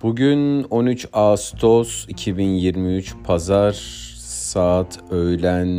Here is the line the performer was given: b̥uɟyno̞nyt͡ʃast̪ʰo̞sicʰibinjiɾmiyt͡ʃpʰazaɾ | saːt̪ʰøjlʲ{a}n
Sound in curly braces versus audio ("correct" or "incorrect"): incorrect